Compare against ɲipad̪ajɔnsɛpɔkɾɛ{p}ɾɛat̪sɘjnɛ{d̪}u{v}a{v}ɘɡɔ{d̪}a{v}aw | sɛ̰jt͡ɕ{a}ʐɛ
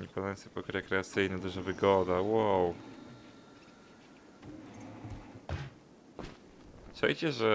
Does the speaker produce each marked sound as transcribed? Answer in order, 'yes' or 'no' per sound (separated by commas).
no, yes, no, yes, yes, no, no